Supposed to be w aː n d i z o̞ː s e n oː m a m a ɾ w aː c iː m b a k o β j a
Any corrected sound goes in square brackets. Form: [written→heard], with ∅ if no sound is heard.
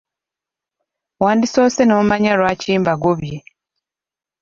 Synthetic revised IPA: w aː n d i [z→s] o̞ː s e n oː m a [m→ɲ] a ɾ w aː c iː m b a [k→ɡ] o β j [a→e]